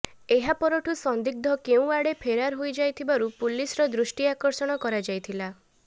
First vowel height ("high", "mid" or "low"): mid